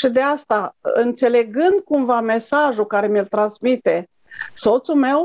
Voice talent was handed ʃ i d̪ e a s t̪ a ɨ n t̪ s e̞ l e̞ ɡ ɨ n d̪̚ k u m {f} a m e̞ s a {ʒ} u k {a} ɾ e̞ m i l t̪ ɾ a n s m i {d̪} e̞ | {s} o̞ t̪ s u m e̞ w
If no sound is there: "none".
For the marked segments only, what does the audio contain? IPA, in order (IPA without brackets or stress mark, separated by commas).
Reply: v, ʒ, a, t̪, s